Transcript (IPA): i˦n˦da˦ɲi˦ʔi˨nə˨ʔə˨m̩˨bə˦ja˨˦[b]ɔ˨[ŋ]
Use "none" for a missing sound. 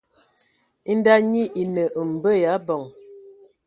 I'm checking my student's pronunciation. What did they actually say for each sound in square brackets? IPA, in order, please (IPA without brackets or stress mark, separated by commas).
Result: b, ŋ